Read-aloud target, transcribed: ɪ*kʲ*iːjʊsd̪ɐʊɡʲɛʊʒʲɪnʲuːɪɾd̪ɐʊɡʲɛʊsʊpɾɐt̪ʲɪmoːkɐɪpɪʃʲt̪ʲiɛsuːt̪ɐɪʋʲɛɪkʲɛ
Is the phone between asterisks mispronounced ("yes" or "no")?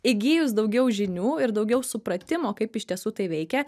yes